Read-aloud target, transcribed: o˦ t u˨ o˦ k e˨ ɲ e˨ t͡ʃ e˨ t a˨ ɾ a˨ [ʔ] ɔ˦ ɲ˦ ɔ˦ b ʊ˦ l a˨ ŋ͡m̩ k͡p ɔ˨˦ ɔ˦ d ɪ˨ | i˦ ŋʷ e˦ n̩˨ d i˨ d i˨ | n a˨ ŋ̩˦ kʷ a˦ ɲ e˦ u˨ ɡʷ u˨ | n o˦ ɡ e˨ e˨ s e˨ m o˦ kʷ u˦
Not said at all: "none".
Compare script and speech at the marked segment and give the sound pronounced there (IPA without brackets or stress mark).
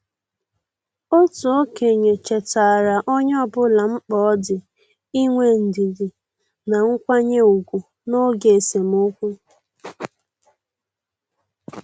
ʔ